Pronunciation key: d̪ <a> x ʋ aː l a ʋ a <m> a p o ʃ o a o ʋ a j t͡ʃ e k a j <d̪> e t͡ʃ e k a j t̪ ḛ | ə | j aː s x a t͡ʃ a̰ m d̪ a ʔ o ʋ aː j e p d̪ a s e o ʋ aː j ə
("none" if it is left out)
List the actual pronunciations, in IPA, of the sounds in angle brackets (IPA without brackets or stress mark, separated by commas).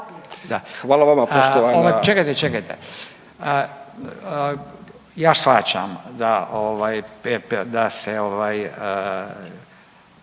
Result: a, m, t̪